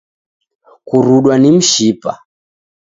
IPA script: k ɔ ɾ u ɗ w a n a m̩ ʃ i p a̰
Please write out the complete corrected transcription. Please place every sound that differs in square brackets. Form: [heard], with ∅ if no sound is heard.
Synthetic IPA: k [u] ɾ u ɗ w a n [i] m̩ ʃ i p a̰